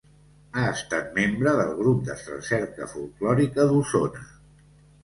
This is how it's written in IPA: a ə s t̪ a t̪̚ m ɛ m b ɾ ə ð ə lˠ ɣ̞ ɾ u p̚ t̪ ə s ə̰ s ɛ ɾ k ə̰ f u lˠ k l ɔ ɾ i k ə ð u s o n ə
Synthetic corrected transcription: a ə s t̪ a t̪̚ m e m b ɾ ə ð ə lˠ ɣ̞ ɾ u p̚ d̪ ə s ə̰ s ɛ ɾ k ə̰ f u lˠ k l ɔ ɾ i k ə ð u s o n ə